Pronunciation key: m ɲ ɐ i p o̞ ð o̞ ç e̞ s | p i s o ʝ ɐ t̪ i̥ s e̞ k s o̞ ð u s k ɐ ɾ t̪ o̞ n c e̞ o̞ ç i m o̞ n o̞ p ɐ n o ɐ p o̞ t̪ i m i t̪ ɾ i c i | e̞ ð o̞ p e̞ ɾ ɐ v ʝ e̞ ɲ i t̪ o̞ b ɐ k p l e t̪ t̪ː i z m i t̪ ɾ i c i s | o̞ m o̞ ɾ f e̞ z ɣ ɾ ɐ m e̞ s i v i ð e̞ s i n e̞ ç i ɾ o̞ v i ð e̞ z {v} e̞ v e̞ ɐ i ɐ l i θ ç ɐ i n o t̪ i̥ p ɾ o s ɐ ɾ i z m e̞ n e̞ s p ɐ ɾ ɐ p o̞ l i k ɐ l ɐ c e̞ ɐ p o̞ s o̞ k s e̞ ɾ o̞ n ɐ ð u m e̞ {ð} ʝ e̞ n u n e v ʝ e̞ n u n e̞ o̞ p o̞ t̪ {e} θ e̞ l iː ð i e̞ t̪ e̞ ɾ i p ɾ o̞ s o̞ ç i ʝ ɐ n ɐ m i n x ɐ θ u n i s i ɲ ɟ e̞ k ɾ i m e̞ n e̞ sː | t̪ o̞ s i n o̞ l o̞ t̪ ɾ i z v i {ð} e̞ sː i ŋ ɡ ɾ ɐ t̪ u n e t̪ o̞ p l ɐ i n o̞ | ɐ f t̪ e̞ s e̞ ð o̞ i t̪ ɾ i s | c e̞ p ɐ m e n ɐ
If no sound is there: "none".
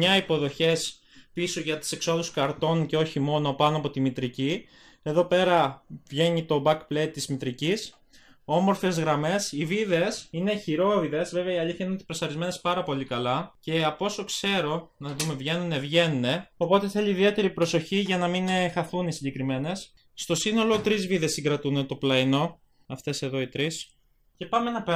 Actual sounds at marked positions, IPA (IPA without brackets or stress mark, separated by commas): v, v, e, ð